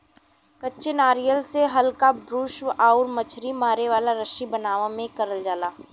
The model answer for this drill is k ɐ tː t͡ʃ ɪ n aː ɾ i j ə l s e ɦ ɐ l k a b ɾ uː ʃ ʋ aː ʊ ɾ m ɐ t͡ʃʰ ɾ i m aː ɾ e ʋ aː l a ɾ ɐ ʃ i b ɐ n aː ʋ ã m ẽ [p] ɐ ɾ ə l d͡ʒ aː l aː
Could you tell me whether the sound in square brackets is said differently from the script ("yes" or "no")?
yes